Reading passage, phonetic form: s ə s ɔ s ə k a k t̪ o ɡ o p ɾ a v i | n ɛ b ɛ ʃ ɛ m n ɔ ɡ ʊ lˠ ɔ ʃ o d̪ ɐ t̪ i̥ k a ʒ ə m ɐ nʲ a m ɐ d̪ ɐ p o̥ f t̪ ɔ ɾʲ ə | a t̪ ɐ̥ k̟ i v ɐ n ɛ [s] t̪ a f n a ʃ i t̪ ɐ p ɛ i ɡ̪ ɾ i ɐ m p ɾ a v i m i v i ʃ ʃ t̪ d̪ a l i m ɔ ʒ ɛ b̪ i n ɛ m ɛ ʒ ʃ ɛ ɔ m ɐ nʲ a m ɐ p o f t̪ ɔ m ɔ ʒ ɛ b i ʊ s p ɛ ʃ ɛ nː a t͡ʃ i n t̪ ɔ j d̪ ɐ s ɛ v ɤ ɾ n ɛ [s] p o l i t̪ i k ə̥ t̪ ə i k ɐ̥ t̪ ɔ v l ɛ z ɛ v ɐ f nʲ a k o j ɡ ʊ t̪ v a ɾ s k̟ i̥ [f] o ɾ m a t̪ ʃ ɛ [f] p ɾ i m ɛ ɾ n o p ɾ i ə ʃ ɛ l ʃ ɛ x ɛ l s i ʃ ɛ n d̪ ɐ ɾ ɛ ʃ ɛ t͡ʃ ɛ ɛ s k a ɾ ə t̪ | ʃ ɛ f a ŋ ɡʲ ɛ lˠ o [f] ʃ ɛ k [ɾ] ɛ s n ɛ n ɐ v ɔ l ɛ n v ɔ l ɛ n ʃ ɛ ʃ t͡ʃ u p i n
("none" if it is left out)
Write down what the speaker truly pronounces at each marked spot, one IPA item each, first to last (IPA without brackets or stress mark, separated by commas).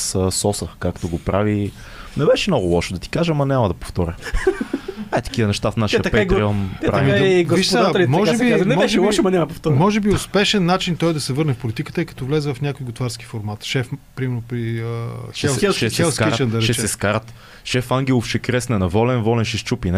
ʃ, f, f, f, f, ɾ